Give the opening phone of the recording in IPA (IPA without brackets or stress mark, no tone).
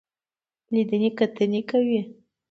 l